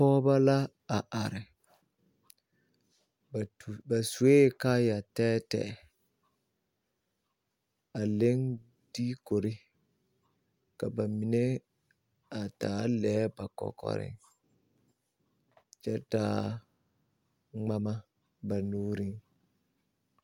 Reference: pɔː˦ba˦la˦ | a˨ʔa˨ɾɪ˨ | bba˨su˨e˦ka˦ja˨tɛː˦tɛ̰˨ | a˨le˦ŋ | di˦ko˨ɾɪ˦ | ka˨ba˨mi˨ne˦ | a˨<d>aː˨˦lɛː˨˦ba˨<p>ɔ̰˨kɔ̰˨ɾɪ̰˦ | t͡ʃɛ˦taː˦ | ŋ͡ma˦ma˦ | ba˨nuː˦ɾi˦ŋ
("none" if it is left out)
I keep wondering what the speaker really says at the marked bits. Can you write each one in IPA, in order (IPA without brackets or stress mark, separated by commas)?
t, k